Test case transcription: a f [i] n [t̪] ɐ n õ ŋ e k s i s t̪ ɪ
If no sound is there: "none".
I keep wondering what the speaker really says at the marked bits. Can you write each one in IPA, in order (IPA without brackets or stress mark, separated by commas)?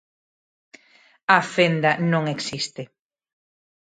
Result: e, d̪